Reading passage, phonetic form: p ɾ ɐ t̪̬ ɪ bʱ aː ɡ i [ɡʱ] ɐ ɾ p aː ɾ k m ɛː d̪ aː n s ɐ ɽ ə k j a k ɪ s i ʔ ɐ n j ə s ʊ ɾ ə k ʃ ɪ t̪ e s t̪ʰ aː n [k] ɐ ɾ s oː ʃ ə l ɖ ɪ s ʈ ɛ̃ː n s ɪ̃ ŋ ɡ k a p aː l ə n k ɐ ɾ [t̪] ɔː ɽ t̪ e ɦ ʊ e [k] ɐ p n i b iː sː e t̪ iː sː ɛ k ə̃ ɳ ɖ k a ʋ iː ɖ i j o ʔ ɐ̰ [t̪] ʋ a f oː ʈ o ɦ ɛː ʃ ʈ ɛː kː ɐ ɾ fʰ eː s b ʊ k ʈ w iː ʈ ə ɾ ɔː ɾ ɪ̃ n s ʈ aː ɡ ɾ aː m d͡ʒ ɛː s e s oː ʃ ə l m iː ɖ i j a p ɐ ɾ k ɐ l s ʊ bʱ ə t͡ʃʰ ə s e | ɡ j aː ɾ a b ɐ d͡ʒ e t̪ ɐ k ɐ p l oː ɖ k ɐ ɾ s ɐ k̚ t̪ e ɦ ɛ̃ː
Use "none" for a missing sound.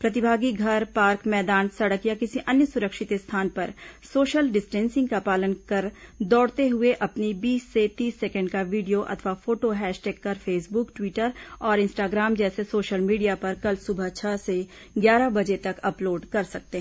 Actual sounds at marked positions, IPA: ɡʱ, p, d̪, ʔ, t̪ʰ

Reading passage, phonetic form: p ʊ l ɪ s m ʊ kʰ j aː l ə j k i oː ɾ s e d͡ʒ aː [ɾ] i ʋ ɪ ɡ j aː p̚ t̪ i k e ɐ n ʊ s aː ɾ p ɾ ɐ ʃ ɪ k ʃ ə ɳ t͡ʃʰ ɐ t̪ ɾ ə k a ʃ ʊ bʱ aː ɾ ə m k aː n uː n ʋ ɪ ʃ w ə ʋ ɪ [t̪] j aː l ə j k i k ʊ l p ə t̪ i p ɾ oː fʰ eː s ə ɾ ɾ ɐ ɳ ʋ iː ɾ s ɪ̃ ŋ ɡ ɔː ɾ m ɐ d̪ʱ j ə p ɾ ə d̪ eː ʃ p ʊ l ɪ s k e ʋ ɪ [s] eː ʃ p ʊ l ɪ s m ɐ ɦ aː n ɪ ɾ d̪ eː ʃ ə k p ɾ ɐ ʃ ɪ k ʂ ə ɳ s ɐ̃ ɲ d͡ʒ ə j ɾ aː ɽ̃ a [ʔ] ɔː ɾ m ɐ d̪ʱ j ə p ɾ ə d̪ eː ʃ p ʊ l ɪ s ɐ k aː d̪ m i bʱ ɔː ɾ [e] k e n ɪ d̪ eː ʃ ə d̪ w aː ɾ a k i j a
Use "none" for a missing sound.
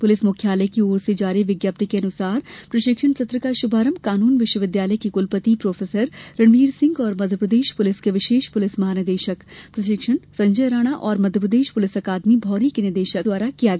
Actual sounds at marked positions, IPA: ɾ, d̪, ʃ, ʔ, i

